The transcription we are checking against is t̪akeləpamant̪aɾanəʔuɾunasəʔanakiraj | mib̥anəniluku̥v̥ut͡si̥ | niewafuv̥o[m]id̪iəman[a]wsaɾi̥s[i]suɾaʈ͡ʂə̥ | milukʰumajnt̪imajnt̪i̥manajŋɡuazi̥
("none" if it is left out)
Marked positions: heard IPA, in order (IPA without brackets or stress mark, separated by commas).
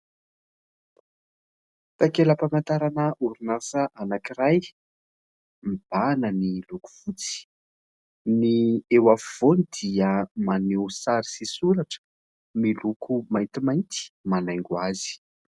n, e, i